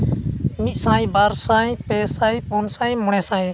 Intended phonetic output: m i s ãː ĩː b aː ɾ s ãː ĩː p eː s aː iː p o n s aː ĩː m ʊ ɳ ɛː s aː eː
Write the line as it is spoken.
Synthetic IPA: m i s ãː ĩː b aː ɾ s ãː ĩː p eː s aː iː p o n s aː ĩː m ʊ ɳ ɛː s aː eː